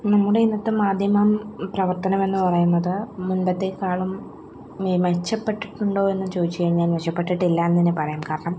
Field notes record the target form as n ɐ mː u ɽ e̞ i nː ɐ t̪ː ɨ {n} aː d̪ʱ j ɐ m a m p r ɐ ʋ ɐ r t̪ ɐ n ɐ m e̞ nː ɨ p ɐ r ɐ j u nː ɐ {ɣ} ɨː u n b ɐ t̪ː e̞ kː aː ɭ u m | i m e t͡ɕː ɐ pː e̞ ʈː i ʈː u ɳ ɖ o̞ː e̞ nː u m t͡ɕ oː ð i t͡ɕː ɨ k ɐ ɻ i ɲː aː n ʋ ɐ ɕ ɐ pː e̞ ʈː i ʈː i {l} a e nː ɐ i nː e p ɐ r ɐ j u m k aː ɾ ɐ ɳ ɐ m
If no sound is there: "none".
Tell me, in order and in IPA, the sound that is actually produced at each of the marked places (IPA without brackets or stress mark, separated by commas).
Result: m, ð, lː